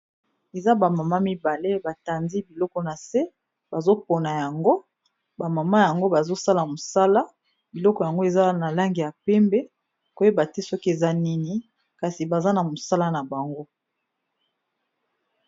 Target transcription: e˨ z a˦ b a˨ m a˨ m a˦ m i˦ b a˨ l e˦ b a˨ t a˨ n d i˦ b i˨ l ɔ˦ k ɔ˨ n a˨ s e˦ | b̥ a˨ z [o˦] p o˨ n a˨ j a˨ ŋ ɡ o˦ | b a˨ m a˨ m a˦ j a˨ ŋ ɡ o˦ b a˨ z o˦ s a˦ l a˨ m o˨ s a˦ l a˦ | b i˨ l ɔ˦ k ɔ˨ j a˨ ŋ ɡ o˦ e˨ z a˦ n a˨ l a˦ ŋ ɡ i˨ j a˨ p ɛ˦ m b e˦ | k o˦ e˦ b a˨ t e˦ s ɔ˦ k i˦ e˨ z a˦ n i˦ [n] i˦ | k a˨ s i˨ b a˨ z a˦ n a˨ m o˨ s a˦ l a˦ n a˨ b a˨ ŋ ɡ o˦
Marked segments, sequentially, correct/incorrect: correct, correct

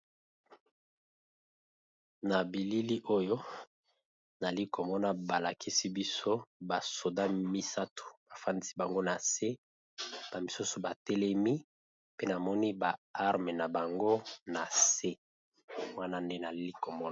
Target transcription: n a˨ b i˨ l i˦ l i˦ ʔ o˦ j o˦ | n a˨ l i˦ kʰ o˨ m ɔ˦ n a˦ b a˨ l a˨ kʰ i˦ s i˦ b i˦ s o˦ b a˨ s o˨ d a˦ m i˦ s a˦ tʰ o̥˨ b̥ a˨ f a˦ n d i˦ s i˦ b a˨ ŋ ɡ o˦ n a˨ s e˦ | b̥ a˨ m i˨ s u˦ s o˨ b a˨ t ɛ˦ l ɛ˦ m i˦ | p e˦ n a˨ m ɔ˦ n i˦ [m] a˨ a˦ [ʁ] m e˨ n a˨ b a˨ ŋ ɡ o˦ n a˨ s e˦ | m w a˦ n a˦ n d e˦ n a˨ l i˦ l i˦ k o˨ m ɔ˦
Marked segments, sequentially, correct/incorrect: incorrect: b, correct

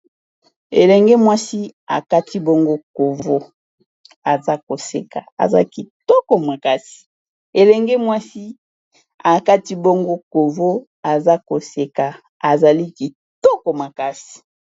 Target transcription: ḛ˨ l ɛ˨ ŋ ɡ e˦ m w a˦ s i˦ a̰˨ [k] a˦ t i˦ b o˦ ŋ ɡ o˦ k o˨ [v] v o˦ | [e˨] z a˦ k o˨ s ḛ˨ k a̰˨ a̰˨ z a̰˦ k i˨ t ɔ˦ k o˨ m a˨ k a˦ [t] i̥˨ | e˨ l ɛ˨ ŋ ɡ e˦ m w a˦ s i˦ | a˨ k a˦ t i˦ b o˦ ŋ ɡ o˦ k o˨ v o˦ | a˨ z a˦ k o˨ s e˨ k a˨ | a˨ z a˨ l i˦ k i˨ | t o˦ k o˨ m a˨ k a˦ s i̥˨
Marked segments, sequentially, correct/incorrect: correct, correct, incorrect: a˨, incorrect: s

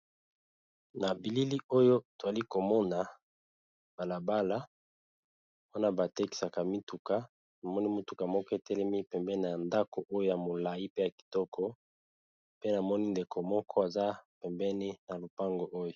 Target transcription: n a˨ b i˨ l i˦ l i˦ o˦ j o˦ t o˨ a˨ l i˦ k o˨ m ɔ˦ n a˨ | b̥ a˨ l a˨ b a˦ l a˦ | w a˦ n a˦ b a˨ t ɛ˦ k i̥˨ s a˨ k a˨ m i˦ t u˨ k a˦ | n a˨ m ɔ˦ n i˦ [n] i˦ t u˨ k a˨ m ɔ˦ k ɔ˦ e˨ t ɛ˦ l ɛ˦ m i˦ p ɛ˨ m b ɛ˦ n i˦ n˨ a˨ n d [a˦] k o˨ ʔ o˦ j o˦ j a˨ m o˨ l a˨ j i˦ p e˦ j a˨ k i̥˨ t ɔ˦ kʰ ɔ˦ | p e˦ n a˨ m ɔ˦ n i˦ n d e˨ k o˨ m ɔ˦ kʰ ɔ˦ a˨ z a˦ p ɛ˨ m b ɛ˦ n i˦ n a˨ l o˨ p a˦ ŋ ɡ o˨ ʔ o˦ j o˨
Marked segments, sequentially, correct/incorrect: incorrect: m, correct

